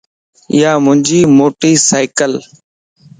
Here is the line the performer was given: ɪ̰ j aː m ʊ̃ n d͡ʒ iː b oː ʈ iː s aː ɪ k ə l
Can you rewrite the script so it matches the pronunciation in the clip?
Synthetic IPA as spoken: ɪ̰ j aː m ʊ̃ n d͡ʒ iː m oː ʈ iː s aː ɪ k ə l